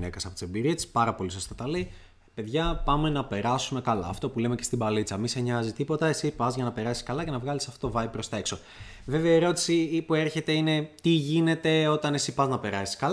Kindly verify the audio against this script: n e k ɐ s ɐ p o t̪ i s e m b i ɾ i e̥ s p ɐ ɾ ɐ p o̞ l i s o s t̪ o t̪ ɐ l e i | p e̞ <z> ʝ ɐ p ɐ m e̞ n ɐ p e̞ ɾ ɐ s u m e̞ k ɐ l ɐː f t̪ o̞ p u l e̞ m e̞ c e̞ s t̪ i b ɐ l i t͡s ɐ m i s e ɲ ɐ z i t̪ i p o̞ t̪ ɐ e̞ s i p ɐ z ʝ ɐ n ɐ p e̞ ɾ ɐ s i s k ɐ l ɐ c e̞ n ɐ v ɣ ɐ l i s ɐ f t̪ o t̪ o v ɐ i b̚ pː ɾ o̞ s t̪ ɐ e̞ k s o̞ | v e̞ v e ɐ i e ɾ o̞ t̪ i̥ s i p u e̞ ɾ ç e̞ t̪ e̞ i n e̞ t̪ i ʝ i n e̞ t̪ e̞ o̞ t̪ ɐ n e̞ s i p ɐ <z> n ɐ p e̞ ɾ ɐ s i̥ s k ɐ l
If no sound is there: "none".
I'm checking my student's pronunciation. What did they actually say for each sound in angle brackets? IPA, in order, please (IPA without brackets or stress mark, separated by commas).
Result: ð, z